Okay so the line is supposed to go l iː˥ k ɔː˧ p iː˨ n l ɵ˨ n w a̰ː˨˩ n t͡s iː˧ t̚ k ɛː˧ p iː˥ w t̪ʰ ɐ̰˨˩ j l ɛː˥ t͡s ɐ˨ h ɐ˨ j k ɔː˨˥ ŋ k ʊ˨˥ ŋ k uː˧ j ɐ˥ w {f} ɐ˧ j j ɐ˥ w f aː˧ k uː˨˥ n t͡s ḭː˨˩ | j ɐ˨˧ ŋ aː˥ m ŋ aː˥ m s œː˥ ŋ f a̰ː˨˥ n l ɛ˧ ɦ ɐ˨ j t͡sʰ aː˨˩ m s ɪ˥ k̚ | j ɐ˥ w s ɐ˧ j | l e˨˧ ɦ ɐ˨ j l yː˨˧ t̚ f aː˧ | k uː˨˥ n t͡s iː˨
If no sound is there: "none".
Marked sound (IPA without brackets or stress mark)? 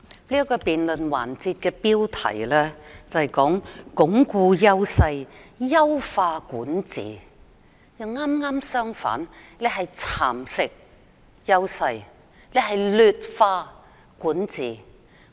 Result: s